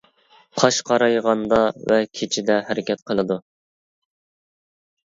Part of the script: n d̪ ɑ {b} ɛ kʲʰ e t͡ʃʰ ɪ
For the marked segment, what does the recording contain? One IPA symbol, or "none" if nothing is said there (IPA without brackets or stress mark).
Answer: v